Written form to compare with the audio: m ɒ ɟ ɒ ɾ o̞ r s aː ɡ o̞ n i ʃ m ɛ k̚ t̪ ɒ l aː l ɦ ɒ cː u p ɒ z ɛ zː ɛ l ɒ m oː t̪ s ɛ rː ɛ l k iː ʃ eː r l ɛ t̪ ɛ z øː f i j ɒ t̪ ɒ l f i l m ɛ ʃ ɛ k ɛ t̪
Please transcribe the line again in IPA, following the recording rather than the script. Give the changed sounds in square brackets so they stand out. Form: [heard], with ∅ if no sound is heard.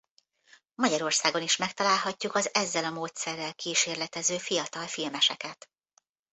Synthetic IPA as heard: m ɒ ɟ ɒ ɾ o̞ r s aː ɡ o̞ n i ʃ m ɛ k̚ t̪ ɒ l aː l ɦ ɒ cː u [k] ɒ z ɛ zː ɛ l ɒ m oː t̪ s ɛ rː ɛ l k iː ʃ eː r l ɛ t̪ ɛ z øː f i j ɒ t̪ ɒ l f i l m ɛ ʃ ɛ k ɛ t̪